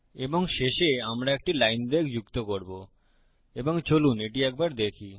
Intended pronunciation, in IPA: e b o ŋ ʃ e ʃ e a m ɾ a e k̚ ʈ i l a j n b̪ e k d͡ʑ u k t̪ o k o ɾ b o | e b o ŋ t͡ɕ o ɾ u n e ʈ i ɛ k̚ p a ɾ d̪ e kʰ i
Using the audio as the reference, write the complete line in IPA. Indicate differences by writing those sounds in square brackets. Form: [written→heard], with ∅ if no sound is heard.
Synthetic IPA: e b o ŋ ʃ e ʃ e a m ɾ a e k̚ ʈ i l a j n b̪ e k d͡ʑ u k t̪ o k o ɾ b o | e b o ŋ t͡ɕ o [ɾ→l] u n e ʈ i ɛ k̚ [p→b] a ɾ d̪ e kʰ i